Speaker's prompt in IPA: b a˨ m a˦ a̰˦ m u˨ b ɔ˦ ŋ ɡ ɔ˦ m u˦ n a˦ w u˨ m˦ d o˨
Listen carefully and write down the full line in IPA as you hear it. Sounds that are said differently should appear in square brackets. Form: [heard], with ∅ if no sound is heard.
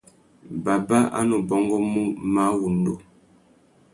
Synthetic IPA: b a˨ [b] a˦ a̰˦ [n] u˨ b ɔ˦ ŋ ɡ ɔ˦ m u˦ [m] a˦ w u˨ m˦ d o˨